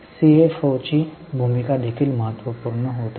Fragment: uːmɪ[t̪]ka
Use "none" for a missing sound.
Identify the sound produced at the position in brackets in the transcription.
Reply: none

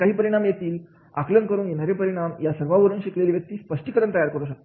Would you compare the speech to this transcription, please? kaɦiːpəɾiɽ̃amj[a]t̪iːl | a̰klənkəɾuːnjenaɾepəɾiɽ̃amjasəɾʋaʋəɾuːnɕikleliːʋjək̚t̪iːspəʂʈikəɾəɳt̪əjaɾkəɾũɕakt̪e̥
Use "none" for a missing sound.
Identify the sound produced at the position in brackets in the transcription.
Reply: e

